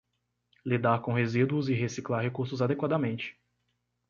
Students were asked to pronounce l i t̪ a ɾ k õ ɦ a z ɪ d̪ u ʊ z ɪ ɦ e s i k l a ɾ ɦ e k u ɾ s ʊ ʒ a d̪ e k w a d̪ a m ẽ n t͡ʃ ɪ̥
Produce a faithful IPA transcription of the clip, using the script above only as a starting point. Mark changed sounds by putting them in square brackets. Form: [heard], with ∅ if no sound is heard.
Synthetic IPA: l i [d̪] a ɾ k õ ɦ [e] z [i] d̪ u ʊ z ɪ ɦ e s i k l a ɾ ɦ e k u ɾ s ʊ [z] a d̪ e k w a d̪ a m ẽ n t͡ʃ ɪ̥